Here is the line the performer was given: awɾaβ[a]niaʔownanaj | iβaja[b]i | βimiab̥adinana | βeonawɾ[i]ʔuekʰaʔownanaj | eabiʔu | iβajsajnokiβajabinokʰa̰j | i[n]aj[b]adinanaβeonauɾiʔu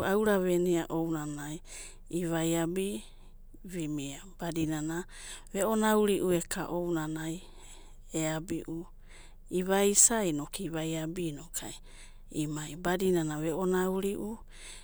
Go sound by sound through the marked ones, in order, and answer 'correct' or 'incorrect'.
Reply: incorrect: e, correct, correct, incorrect: m, correct

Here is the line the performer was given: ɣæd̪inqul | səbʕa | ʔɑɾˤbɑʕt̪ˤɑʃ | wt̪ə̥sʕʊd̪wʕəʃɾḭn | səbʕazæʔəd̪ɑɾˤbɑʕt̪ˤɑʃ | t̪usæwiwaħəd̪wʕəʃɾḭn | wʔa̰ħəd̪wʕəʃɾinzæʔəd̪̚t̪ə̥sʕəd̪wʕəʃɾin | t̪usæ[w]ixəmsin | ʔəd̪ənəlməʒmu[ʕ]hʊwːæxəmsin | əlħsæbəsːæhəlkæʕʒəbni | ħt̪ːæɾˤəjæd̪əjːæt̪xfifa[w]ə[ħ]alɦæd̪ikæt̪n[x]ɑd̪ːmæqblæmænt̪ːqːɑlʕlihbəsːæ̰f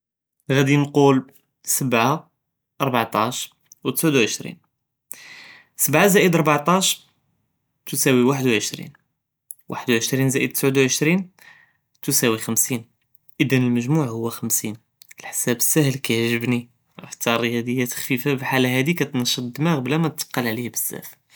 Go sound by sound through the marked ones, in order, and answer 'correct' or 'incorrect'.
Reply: correct, correct, incorrect: b, correct, incorrect: ʃ

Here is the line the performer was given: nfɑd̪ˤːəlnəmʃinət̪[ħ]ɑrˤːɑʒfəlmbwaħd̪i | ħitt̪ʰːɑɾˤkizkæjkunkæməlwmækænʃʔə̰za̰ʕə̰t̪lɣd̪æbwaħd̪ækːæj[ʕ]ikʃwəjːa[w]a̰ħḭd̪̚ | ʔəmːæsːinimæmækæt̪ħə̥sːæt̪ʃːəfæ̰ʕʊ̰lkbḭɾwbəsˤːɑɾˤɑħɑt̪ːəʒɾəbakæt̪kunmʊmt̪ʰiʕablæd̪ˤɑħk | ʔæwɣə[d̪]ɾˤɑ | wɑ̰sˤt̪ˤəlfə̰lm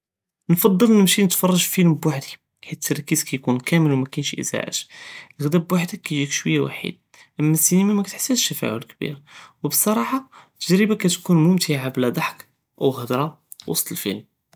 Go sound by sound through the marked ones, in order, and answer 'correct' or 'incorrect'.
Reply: incorrect: f, incorrect: ʒ, correct, correct

